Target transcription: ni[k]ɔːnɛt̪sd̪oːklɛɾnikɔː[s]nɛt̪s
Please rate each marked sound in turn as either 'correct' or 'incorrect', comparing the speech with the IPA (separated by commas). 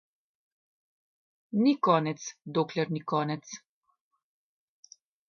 correct, incorrect